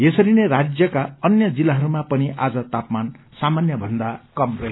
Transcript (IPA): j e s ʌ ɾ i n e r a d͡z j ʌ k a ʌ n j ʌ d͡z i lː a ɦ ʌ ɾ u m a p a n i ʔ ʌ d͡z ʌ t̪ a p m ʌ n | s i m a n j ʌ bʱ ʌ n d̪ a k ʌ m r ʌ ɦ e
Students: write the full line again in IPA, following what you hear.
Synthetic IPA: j e s ʌ ɾ i n e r a d͡z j ʌ k a ʌ n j ʌ d͡z i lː a ɦ ʌ ɾ u m a p ʌ n i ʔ a d͡z ʌ t̪ a p m a n | s a m a n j ʌ bʱ ʌ n d̪ a k ʌ m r ʌ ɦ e